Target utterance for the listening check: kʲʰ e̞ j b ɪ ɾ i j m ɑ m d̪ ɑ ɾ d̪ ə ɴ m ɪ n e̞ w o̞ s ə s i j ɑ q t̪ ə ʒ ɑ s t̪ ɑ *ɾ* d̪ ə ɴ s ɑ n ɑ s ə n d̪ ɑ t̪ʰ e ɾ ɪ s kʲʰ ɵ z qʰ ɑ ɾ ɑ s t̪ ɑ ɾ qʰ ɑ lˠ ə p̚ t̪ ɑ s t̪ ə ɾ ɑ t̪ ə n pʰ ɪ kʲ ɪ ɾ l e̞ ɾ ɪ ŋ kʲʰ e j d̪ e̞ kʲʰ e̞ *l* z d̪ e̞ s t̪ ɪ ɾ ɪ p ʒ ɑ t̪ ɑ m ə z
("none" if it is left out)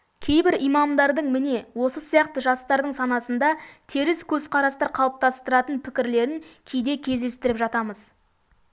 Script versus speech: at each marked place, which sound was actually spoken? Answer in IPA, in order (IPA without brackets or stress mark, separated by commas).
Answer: ɾ, none